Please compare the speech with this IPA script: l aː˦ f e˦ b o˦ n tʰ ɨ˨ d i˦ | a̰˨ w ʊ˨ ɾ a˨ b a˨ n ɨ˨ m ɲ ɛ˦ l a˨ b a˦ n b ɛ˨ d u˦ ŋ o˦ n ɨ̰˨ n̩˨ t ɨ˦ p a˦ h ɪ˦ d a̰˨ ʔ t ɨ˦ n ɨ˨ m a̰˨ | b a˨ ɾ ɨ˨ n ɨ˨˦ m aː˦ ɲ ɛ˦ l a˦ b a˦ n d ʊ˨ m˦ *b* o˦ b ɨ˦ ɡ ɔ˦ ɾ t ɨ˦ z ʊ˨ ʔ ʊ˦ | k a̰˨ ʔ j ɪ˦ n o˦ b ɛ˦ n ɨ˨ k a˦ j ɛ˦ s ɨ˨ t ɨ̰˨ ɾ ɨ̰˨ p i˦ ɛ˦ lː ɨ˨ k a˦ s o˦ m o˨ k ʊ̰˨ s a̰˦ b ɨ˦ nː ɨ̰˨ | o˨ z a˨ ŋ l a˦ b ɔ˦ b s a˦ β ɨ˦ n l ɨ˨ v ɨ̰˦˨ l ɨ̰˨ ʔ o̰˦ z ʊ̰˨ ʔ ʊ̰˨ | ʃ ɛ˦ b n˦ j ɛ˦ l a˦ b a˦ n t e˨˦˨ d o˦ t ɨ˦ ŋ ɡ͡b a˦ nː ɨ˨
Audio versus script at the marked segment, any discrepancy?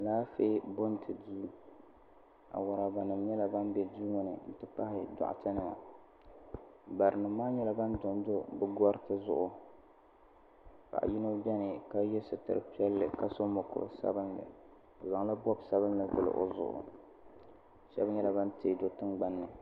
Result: yes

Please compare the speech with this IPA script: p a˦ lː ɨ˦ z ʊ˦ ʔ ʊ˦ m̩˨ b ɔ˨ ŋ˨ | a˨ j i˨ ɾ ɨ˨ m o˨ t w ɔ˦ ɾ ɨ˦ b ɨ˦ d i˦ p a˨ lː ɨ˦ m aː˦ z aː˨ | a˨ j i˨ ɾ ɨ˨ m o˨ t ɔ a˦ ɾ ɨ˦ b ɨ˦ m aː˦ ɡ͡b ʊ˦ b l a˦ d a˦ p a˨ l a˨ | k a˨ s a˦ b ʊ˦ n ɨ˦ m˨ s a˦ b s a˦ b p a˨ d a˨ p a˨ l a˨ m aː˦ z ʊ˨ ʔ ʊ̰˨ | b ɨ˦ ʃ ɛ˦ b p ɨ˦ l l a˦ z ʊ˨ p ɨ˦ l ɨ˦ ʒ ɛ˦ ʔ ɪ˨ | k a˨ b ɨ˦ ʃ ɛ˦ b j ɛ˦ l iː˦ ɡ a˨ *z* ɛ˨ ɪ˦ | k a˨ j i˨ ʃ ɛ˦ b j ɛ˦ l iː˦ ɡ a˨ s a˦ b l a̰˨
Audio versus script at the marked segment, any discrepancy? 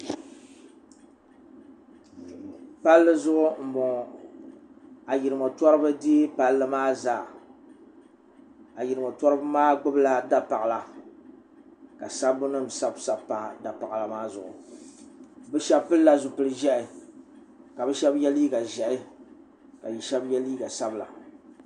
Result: yes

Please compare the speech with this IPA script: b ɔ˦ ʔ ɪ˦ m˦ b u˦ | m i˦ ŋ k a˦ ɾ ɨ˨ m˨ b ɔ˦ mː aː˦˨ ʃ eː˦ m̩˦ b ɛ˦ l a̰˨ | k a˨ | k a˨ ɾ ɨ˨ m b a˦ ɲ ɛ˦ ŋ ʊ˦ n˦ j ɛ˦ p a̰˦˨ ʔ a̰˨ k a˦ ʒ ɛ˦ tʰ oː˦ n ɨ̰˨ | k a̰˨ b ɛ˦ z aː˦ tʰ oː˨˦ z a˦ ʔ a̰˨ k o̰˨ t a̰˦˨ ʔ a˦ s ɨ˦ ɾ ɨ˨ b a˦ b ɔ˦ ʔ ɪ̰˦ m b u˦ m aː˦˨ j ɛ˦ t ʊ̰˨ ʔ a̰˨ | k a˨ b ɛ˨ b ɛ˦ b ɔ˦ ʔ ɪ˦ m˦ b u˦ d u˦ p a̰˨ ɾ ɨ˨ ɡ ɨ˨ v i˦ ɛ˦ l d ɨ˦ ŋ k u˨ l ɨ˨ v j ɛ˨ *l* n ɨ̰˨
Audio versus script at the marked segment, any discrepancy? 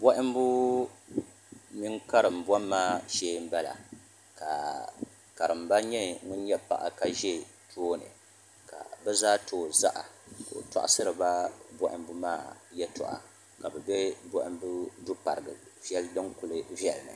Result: no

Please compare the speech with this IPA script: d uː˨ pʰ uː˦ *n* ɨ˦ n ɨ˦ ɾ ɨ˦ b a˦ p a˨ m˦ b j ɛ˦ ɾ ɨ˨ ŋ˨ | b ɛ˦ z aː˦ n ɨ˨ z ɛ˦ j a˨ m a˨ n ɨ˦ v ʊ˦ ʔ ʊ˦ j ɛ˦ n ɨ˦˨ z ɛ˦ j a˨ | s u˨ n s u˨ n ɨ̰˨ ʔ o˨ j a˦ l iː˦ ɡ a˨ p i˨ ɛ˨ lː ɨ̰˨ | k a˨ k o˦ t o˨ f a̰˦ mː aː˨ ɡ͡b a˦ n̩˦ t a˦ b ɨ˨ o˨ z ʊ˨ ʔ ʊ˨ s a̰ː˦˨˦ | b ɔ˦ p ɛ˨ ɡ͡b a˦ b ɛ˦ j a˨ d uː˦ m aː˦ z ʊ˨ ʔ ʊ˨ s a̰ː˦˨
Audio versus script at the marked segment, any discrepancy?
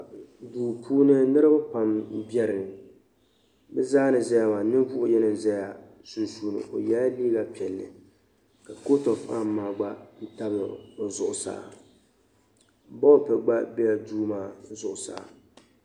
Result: no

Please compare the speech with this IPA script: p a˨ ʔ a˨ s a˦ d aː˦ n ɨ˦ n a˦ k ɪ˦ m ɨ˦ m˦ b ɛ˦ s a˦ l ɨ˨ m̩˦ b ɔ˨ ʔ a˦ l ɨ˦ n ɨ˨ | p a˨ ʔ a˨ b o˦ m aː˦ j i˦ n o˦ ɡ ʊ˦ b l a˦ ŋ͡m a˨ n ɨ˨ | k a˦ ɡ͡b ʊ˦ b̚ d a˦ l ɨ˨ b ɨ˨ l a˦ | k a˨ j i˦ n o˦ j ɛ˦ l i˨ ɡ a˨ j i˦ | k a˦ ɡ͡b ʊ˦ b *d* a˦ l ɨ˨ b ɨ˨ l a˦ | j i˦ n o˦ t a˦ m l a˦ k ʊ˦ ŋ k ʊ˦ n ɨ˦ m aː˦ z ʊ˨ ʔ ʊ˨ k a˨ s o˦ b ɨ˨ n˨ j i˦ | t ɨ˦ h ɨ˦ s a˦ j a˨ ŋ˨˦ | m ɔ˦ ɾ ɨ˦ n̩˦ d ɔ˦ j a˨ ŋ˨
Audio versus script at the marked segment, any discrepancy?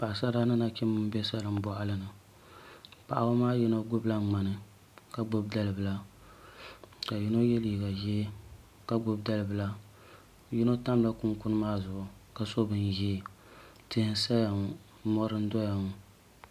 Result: no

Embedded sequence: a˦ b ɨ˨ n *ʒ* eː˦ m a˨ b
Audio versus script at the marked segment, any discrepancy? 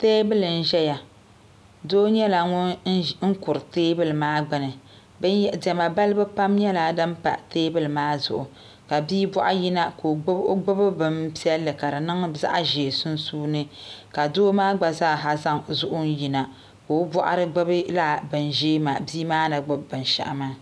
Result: no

